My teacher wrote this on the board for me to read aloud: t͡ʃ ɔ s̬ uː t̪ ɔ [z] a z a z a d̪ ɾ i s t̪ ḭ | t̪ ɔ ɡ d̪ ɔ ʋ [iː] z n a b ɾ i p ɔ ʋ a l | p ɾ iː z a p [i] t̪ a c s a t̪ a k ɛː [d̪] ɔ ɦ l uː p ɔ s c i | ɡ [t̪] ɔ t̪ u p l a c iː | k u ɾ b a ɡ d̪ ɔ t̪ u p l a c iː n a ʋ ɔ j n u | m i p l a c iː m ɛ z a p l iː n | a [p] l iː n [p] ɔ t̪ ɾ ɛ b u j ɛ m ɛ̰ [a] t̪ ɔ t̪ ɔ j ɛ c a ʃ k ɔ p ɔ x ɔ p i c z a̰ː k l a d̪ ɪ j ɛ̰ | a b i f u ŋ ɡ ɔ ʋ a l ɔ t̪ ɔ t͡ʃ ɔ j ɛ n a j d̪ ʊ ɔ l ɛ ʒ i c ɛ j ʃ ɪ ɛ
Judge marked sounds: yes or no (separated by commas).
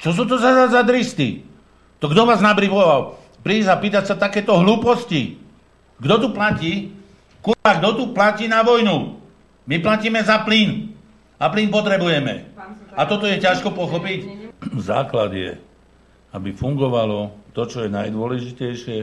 yes, no, no, no, no, yes, yes, yes